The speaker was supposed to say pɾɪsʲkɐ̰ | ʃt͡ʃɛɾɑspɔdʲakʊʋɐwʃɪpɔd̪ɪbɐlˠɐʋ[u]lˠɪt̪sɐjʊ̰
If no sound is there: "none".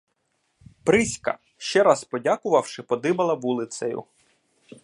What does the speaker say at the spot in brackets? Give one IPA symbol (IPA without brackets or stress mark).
u